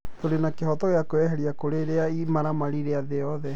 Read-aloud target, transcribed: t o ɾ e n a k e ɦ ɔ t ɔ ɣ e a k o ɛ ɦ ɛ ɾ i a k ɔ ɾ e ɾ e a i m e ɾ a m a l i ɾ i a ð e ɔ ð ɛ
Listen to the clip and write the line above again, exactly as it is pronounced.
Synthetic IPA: t o ɾ e n a k e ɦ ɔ t ɔ ɣ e a k o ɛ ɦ ɛ ɾ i a k o ɾ e ɾ e a i m a ɾ a m a ɾ i ɾ e a ð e ɔ ð ɛ